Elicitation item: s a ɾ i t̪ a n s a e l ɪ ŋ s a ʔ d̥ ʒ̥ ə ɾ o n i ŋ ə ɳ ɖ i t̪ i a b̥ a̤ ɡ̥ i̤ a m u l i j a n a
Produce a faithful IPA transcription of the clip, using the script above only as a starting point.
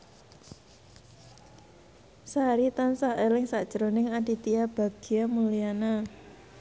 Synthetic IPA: s a ɾ i t̪ a n s a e l ɪ ŋ s a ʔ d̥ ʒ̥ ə ɾ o n ɪ ŋ a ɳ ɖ i t̪ i a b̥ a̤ ɡ̥ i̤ a m u l i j a n a